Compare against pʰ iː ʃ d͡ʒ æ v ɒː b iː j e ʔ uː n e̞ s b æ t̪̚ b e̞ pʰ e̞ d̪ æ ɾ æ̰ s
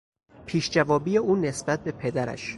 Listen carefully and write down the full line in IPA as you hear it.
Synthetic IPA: pʰ iː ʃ d͡ʒ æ v ɒː b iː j e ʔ uː n e̞ s b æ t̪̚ b e̞ pʰ e̞ d̪ æ ɾ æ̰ ʃ